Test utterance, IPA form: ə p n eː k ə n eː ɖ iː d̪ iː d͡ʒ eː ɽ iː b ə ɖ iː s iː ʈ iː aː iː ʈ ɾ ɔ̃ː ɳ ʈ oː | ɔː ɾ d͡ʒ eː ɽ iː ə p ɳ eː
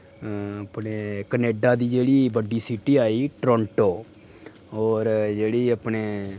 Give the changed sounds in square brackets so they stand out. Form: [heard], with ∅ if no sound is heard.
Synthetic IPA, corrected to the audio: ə p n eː k ə n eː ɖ [aː] d̪ iː d͡ʒ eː ɽ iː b ə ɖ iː s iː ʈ iː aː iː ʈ ɾ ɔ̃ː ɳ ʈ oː | ɔː ɾ d͡ʒ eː ɽ iː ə p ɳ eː